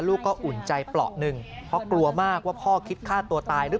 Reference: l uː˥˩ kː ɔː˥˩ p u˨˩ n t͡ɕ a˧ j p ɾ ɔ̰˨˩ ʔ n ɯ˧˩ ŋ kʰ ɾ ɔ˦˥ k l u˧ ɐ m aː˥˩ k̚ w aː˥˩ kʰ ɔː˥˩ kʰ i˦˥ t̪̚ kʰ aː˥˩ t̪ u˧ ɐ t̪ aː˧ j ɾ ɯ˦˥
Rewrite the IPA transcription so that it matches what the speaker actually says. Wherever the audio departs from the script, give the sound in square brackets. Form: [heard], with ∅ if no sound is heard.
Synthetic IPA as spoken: l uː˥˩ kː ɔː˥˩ [ʔ] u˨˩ n t͡ɕ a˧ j p [l] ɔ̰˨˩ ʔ n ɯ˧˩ ŋ [pʰ] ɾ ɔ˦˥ k l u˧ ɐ m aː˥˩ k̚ w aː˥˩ [pʰ] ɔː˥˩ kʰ i˦˥ t̪̚ kʰ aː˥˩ t̪ u˧ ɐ t̪ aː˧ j ɾ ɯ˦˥